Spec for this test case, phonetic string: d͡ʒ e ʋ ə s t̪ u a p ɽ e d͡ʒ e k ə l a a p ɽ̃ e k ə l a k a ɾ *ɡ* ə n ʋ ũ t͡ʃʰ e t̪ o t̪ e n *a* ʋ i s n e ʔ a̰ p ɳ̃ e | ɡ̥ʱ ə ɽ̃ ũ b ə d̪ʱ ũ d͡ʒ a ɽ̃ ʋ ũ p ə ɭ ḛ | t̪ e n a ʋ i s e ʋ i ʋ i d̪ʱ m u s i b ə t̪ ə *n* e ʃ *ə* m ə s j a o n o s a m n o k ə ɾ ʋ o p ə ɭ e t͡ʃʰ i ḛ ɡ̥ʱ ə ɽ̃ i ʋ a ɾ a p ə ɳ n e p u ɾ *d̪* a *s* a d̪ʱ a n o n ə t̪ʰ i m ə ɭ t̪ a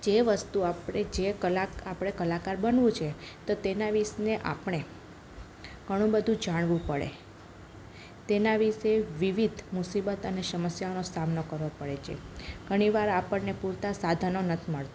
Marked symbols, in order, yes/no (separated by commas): no, yes, yes, yes, no, yes